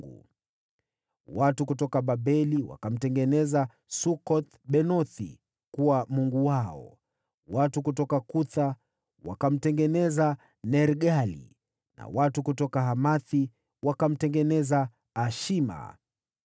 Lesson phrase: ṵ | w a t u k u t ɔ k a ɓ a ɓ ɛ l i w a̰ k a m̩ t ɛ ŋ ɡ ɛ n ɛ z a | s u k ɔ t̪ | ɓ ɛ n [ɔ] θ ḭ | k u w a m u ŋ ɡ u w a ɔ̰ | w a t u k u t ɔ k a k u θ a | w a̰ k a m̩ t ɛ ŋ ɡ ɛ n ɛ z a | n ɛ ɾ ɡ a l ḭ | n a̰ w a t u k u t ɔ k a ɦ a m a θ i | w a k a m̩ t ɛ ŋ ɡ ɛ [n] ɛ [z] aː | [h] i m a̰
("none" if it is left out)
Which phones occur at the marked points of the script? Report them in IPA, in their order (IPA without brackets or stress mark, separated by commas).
ɔ, n, z, ʃ